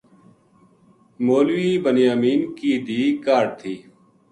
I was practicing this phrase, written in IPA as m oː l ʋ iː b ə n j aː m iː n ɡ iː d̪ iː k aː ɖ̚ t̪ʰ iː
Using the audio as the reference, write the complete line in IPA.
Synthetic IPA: m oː l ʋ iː b ə n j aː m iː n k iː d̪ iː k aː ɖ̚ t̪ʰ iː